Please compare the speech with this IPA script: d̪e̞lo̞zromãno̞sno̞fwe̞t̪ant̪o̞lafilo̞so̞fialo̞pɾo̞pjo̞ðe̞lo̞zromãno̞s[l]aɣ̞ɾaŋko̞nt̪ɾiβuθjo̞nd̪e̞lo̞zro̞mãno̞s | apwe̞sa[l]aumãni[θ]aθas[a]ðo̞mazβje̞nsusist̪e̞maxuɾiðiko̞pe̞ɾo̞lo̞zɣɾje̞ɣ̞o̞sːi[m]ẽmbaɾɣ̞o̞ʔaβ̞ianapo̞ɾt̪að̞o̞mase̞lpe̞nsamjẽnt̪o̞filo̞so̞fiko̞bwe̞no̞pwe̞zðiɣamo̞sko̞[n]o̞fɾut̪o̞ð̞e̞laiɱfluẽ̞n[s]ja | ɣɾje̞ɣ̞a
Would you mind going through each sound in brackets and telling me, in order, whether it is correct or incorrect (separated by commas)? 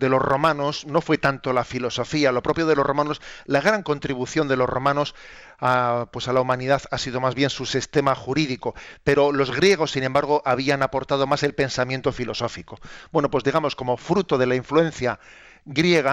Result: correct, correct, incorrect, incorrect, incorrect, incorrect, incorrect